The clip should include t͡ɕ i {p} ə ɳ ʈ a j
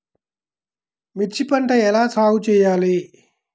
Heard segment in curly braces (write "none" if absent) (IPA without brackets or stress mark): p